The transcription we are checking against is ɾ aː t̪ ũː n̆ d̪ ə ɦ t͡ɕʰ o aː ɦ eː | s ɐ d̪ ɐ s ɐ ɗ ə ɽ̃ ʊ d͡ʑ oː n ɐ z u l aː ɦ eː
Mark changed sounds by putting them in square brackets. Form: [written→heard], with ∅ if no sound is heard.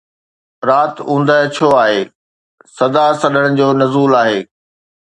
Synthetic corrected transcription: ɾ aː t̪ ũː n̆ d̪ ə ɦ t͡ɕʰ o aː ɦ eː | s ɐ d̪ [ɐ→a] s ɐ ɗ ə ɽ̃ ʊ d͡ʑ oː n ɐ z [u→uː] l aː ɦ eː